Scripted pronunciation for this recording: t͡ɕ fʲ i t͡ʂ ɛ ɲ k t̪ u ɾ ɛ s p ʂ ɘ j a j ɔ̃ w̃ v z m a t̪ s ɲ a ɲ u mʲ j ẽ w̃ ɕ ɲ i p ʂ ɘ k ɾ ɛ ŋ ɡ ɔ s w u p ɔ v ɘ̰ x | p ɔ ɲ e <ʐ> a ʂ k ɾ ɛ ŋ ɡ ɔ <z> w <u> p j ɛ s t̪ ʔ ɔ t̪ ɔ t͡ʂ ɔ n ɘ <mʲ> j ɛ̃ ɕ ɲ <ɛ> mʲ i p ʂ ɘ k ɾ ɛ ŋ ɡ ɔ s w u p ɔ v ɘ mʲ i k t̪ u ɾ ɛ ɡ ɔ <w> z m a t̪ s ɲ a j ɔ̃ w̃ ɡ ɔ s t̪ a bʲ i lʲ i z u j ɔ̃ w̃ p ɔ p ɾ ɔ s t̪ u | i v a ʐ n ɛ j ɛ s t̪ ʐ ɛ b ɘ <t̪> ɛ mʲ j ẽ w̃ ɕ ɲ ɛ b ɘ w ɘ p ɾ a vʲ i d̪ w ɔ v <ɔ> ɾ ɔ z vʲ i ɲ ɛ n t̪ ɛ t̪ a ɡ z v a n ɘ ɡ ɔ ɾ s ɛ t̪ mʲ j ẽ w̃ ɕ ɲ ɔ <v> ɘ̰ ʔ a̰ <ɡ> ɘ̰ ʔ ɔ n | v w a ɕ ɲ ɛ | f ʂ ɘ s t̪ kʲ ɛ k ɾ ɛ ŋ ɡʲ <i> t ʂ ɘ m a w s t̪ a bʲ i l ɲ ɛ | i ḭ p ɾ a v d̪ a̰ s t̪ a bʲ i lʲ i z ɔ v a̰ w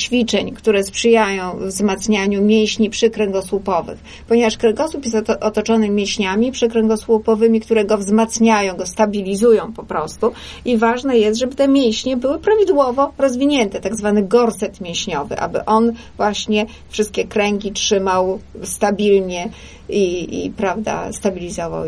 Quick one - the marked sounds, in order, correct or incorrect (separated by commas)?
incorrect, incorrect, correct, correct, incorrect, incorrect, correct, correct, correct, incorrect, correct